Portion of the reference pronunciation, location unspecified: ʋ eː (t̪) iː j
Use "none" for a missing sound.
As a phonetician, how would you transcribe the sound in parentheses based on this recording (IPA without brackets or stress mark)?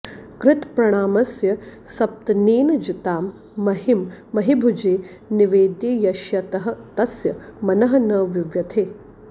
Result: d̪